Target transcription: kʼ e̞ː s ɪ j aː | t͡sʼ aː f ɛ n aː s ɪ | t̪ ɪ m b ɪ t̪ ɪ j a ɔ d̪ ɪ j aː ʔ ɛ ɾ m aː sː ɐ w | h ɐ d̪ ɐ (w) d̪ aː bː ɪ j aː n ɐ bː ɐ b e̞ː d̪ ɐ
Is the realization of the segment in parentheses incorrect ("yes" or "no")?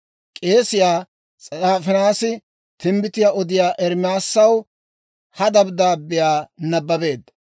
yes